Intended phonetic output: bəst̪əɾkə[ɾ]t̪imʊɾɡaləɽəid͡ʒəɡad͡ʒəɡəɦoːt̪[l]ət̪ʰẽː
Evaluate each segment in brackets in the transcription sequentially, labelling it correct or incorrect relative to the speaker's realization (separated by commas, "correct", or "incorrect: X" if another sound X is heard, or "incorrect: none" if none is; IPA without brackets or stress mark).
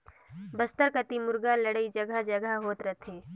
incorrect: none, incorrect: ɾ